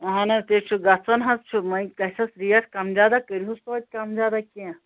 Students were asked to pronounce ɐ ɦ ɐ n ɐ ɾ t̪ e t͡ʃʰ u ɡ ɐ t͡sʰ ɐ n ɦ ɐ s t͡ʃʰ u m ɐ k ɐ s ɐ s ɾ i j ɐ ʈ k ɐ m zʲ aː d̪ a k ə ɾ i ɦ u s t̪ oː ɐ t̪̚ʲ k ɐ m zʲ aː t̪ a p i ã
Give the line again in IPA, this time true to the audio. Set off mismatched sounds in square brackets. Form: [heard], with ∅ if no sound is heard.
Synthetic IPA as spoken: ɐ ɦ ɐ n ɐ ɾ t̪ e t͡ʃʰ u ɡ ɐ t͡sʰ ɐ n ɦ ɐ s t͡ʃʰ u m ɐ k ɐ s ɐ s ɾ i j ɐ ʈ k ɐ m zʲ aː d̪ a k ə ɾ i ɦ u s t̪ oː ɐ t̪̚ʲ k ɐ m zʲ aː [d̪] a [k] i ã